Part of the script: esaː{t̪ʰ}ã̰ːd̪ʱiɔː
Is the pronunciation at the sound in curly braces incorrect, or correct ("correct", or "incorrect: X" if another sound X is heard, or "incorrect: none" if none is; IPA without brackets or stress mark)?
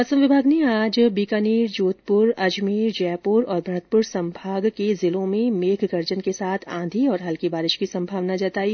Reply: correct